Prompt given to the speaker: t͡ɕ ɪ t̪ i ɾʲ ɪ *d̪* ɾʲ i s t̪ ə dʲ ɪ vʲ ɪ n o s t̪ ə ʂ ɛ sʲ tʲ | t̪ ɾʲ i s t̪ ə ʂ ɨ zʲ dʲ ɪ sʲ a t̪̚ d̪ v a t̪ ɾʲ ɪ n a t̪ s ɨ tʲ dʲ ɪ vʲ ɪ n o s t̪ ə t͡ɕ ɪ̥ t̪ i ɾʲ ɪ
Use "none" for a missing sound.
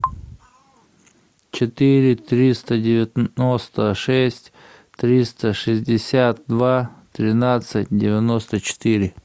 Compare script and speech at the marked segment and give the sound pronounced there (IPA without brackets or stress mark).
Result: t̪